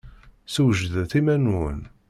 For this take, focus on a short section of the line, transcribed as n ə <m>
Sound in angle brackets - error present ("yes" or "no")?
yes